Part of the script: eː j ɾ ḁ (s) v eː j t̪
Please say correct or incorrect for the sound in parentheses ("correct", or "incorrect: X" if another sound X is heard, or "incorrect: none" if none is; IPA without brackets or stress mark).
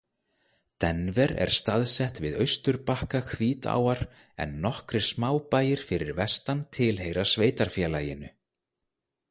correct